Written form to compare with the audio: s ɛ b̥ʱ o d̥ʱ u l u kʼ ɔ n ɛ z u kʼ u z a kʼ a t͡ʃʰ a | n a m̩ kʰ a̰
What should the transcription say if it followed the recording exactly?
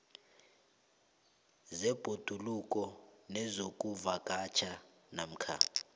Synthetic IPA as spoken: z ɛ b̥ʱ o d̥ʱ u l u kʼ ɔ n ɛ z o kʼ u v a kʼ a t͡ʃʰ a | n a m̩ kʰ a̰